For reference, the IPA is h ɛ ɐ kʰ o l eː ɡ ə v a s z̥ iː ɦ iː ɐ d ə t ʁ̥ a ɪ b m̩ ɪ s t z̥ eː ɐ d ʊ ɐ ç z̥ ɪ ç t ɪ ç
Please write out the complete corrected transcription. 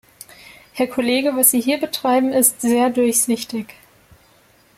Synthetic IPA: h ɛ ɐ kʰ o l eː ɡ ə v a s z̥ iː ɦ iː ɐ b ə t ʁ̥ a ɪ b m̩ ɪ s t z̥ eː ɐ d ʊ ɐ ç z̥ ɪ ç t ɪ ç